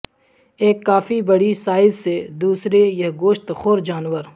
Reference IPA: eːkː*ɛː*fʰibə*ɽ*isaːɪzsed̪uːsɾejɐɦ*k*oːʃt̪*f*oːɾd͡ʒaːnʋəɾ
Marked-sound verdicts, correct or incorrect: incorrect, correct, incorrect, incorrect

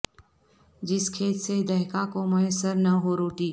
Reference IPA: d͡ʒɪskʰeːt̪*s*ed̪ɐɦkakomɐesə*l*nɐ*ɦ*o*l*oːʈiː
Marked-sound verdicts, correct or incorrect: correct, incorrect, correct, incorrect

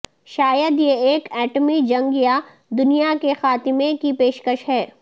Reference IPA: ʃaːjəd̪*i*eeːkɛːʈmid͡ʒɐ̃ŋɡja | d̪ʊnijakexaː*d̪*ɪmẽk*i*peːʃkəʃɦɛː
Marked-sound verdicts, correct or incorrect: incorrect, incorrect, correct

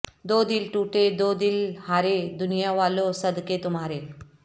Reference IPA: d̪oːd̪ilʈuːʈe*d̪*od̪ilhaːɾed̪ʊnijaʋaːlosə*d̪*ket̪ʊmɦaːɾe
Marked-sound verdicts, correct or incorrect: correct, correct

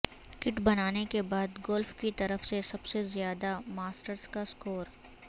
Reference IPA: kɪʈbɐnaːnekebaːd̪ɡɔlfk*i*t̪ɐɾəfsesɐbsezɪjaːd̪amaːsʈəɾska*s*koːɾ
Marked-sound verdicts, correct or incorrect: correct, correct

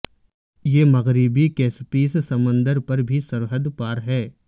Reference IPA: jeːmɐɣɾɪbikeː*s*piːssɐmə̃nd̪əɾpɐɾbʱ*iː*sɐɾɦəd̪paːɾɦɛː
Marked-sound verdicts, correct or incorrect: correct, incorrect

